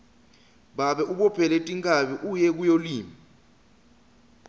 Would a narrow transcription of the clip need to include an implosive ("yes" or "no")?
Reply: yes